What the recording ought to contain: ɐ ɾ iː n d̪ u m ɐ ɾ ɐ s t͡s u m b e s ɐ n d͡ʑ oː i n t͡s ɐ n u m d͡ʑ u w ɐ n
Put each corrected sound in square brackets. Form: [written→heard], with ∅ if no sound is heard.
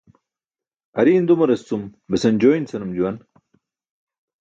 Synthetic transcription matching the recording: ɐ ɾ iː n d̪ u m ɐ ɾ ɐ s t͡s u m b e s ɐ n d͡ʑ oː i n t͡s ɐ n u m d͡ʑ u w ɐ n